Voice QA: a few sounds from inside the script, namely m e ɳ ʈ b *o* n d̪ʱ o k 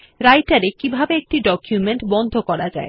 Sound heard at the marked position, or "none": ɔ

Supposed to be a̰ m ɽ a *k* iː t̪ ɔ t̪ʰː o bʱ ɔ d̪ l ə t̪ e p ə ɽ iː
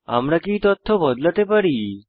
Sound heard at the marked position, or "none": k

